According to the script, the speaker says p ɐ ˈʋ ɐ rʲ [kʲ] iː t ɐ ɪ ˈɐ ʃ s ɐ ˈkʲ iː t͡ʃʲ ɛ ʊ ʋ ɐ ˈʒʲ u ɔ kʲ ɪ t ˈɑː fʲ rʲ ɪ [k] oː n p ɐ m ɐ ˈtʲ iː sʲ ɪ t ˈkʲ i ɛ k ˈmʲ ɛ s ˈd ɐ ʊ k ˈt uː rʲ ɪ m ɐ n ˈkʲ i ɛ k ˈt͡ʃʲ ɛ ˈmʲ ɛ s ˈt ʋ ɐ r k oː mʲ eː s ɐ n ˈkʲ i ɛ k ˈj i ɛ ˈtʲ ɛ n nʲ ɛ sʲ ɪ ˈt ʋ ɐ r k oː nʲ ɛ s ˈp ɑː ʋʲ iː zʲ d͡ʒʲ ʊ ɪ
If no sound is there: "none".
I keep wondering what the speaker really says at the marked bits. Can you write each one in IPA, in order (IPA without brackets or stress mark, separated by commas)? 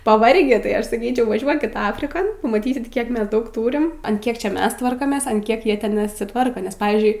ɡʲ, k